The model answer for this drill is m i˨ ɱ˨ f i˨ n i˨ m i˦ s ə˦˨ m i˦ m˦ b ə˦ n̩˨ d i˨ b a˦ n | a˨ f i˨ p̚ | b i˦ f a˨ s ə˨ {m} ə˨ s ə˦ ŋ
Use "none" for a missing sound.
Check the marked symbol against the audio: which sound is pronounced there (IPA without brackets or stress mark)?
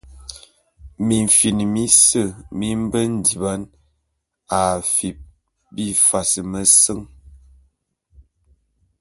m